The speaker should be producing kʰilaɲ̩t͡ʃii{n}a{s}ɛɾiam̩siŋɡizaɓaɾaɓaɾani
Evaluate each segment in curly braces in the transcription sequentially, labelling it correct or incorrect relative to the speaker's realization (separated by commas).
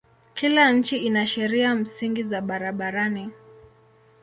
correct, incorrect